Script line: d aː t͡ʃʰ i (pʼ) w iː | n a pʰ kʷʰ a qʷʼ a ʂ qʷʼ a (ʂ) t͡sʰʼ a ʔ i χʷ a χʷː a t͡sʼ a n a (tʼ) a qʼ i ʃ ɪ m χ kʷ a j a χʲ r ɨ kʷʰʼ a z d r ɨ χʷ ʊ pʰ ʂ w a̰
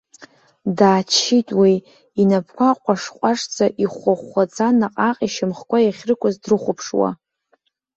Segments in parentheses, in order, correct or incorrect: incorrect, correct, incorrect

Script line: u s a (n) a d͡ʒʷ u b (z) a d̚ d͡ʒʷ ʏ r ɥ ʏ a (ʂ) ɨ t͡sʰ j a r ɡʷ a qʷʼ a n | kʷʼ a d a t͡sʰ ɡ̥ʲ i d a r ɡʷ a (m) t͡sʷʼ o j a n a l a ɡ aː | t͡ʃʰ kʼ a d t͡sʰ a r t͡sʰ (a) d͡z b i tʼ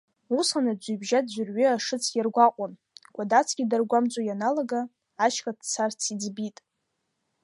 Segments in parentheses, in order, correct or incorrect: correct, incorrect, correct, correct, incorrect

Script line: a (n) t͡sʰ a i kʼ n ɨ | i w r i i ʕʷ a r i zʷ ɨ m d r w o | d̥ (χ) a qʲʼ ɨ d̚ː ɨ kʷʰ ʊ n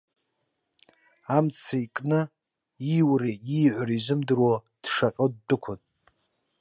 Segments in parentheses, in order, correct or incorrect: incorrect, incorrect

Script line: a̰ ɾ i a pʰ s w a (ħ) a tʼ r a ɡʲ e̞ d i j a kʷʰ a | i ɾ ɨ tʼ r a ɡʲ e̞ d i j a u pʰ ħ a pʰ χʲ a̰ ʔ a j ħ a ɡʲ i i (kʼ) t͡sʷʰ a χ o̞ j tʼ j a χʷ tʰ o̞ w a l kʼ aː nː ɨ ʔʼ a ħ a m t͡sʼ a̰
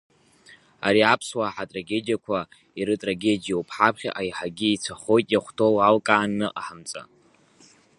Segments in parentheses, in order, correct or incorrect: correct, incorrect

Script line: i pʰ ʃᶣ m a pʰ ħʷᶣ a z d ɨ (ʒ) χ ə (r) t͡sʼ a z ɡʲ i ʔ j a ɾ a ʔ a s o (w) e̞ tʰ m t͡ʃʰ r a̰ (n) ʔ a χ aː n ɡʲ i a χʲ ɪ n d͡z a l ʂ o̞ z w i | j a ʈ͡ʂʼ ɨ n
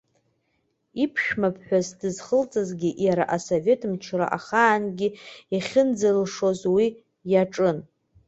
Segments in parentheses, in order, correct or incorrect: incorrect, incorrect, incorrect, incorrect

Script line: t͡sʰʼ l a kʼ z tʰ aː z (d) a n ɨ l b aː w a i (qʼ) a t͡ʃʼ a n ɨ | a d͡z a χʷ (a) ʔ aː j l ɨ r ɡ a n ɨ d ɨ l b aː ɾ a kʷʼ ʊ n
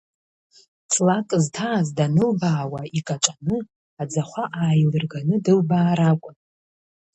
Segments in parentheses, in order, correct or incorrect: correct, incorrect, correct

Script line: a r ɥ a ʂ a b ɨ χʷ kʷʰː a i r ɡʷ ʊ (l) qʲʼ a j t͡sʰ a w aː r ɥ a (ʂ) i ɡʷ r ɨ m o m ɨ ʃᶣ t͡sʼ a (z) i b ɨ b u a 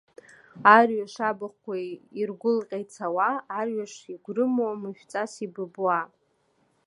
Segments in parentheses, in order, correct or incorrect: correct, correct, incorrect

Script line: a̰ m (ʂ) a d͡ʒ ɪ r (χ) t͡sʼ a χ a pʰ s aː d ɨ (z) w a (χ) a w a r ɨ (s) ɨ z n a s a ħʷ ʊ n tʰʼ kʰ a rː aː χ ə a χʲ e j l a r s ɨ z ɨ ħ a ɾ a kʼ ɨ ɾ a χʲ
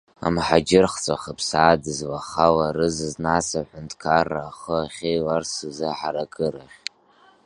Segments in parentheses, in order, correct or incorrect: incorrect, correct, correct, correct, incorrect

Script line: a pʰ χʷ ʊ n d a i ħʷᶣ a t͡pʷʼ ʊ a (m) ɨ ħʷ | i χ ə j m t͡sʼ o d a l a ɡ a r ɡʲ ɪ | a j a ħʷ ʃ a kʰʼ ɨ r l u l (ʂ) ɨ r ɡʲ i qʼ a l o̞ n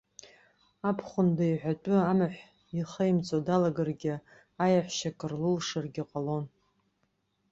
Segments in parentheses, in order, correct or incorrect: correct, correct

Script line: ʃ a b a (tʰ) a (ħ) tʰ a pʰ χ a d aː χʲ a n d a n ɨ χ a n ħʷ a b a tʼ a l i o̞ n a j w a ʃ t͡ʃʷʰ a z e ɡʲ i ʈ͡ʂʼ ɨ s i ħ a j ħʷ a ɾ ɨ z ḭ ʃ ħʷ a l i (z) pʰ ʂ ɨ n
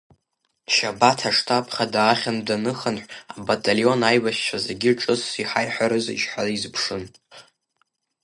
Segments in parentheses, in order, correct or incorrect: correct, incorrect, correct

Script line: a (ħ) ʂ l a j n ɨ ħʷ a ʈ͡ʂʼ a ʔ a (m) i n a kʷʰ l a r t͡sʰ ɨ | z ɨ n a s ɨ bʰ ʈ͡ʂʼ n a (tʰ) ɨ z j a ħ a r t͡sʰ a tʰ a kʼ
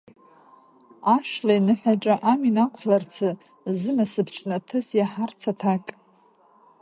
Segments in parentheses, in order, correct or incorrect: incorrect, correct, correct

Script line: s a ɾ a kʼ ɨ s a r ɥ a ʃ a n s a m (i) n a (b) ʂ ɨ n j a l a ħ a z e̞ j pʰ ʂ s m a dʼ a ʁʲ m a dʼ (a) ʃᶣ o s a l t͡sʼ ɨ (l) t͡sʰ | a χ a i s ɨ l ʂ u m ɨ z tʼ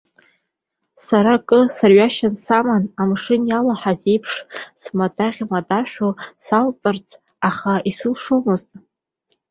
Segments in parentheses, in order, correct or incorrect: incorrect, incorrect, correct, incorrect

